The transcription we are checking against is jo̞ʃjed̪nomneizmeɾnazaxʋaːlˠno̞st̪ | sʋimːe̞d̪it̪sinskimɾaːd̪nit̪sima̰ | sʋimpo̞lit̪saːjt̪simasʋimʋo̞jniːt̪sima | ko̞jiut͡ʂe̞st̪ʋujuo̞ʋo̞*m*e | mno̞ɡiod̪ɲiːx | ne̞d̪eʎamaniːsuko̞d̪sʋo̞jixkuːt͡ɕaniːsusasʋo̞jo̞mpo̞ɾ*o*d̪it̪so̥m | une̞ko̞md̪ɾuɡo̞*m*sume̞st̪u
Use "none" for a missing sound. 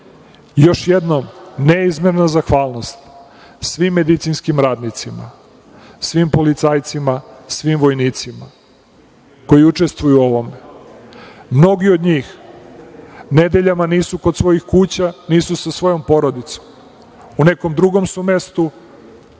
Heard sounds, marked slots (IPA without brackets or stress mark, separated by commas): m, o, m